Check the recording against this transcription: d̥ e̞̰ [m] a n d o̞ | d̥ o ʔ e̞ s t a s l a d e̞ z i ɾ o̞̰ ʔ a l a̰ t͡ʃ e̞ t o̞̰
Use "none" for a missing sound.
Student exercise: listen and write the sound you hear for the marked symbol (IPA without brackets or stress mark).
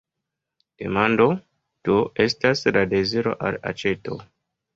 m